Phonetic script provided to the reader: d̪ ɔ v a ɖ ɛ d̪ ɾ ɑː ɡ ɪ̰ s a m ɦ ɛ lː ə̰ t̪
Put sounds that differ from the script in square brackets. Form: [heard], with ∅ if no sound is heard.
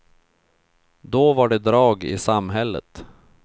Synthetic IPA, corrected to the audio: d̪ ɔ v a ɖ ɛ d̪ ɾ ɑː ɡ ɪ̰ s a m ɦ ɛ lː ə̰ t̪